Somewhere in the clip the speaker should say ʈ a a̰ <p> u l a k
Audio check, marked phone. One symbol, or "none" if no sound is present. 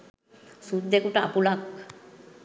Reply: p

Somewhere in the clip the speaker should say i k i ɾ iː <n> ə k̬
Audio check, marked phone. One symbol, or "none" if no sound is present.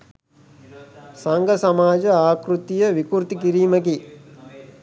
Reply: m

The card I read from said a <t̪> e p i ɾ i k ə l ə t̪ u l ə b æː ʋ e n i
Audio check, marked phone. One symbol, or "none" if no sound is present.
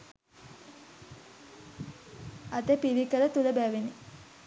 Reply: t̪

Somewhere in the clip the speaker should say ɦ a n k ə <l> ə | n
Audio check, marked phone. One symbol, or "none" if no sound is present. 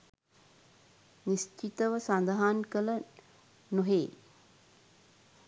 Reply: l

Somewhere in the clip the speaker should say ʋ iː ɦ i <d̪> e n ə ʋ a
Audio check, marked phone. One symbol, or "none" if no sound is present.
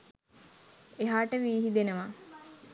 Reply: d̪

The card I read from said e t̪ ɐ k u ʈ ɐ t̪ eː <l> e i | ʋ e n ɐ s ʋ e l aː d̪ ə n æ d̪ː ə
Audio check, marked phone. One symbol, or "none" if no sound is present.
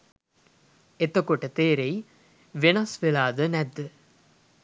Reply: ɾ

